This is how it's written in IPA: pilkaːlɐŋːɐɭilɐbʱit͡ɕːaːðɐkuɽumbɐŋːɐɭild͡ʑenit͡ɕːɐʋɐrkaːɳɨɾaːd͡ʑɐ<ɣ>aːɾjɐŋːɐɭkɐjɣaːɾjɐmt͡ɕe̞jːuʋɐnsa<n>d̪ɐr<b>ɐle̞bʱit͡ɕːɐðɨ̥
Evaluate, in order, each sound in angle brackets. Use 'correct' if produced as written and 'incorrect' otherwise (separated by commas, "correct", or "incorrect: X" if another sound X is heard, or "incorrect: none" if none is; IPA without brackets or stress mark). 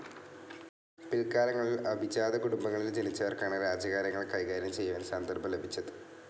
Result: correct, correct, correct